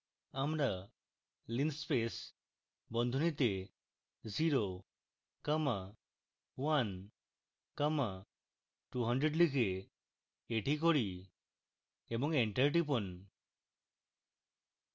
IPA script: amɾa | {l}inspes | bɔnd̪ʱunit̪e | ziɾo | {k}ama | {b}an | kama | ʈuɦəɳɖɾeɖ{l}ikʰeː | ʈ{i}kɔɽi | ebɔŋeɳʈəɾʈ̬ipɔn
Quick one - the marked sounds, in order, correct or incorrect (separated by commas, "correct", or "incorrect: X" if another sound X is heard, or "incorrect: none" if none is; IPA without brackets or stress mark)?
correct, correct, incorrect: w, correct, correct